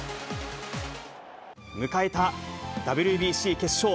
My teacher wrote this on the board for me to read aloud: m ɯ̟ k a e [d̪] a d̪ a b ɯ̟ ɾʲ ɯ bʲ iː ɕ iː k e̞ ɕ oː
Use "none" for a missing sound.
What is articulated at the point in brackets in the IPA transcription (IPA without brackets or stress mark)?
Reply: t̪